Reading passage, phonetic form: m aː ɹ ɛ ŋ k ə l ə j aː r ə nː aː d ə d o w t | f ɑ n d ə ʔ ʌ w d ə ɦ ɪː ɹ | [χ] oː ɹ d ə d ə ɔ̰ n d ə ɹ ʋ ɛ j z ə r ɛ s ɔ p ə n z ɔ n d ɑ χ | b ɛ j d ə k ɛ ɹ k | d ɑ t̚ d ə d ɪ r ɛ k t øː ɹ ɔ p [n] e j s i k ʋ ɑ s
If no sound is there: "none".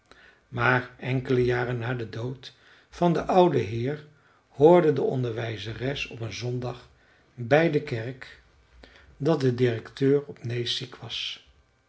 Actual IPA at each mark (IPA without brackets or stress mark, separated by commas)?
h, n